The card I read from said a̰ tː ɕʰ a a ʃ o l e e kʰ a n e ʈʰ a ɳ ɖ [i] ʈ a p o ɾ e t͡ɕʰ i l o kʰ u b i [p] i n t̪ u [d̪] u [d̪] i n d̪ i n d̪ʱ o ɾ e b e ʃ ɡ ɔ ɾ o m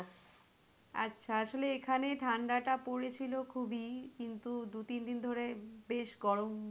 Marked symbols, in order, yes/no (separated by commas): no, no, yes, no